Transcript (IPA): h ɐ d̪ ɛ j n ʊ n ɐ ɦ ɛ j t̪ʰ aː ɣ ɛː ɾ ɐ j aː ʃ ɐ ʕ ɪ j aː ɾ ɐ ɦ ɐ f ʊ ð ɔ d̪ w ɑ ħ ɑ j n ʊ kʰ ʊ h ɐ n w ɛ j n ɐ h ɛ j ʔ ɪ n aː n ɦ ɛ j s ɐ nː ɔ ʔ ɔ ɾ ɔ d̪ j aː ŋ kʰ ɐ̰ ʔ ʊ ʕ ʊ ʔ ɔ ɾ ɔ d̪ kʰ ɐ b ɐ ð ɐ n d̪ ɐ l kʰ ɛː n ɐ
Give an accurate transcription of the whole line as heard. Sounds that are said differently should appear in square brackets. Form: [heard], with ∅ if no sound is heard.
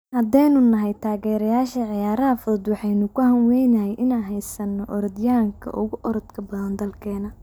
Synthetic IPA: h ɐ d̪ ɛ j n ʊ n ɐ ɦ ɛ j t̪ʰ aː ɣ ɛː ɾ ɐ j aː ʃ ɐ ʕ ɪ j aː ɾ ɐ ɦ ɐ f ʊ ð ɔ d̪ w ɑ ħ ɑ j n ʊ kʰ ʊ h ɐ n w ɛ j n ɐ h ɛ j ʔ ɪ n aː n ɦ ɛ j s ɐ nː ɔ ʔ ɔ ɾ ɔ d̪ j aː ŋ kʰ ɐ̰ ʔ ʊ [ɣ] ʊ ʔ ɔ ɾ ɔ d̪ kʰ ɐ b ɐ ð ɐ n d̪ ɐ l kʰ ɛː n ɐ